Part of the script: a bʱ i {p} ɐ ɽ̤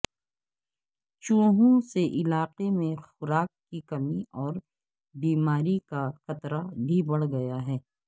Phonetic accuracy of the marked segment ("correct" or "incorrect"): incorrect